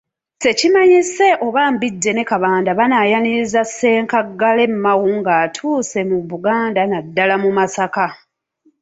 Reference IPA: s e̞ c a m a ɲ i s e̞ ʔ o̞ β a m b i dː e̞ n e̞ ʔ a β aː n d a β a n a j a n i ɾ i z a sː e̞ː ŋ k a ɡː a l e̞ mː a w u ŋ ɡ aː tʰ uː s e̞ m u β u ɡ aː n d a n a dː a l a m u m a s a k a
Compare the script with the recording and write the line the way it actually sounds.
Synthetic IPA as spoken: s e̞ c i m a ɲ i s e̞ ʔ o̞ β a m b i dː e̞ n e̞ k a β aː n d a β a n a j a n i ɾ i z a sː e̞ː ŋ k a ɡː a l e̞ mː a w u ŋ ɡ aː tʰ uː s e̞ m u β u ɡ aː n d a n a dː a l a m u m a s a k a